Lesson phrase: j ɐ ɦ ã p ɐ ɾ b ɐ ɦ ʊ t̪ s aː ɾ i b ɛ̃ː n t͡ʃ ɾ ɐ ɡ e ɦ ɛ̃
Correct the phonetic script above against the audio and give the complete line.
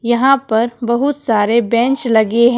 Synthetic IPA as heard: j ɐ ɦ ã p ɐ ɾ b ɐ ɦ ʊ t̪ s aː ɾ e b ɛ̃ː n t͡ʃ l ɐ ɡ e ɦ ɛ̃